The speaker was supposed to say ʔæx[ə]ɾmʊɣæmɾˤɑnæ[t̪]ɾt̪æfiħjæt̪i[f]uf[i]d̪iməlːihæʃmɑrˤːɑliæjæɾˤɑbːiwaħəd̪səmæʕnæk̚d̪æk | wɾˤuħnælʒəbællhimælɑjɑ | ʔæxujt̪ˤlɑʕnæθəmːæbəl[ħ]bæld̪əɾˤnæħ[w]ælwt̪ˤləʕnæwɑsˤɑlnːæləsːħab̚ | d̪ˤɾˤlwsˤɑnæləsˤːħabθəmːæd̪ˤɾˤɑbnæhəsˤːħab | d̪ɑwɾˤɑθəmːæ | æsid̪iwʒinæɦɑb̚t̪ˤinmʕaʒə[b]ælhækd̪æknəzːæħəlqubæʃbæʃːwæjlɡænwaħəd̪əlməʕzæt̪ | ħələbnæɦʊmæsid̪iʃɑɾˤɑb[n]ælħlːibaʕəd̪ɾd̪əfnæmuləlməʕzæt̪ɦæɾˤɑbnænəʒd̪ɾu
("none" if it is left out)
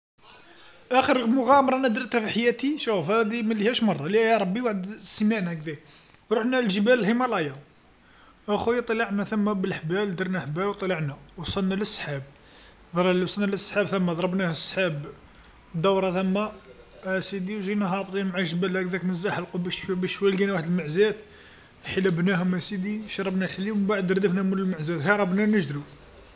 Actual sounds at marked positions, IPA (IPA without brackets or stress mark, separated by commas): ə, d̪, ʃ, æ, ħ, b, b, n